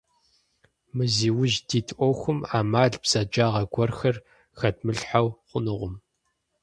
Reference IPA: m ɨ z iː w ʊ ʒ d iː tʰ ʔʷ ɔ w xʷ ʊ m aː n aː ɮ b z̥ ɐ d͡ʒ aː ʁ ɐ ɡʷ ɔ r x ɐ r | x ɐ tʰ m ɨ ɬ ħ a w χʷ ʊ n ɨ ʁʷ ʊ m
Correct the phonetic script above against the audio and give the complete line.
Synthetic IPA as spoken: m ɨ z iː w ʊ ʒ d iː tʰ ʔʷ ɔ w xʷ ʊ m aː m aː ɮ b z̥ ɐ d͡ʒ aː ʁ ɐ ɡʷ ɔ r x ɐ r | x ɐ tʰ m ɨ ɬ ħ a w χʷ ʊ n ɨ ʁʷ ʊ m